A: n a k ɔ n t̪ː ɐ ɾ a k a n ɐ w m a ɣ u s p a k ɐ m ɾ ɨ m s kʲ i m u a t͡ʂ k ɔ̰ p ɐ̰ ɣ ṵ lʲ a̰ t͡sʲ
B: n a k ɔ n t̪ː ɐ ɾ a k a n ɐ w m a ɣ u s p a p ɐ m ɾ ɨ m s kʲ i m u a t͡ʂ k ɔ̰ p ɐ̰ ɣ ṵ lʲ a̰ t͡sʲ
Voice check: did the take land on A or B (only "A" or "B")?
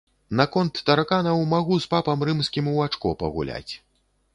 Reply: B